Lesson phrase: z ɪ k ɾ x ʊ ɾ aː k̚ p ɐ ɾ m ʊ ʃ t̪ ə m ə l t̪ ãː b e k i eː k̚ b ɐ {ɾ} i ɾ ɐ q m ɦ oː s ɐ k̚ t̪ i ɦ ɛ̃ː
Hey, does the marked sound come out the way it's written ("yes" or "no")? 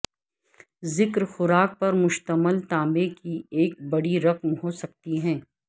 no